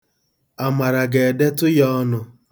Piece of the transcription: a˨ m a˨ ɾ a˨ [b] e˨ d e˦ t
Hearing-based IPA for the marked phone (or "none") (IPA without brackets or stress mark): ɡ